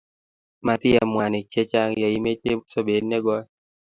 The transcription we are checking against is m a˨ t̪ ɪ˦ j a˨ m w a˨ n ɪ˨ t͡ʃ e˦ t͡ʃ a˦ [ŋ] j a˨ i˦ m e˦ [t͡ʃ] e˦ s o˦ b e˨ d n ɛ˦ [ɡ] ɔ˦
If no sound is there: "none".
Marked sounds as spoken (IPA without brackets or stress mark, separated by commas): ŋ, t͡ʃ, ɡ